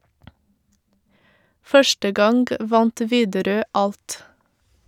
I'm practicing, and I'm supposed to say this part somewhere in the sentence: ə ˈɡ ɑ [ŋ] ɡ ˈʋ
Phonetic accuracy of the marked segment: correct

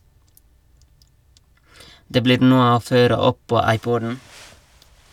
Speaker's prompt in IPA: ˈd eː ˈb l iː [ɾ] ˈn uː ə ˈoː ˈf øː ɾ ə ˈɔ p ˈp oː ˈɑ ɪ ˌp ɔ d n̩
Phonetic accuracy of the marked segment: correct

